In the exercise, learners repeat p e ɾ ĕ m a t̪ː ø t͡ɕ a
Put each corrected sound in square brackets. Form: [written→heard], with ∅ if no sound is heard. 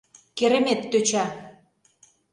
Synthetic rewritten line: [p→k] e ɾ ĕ m [a→e] t̪ː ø t͡ɕ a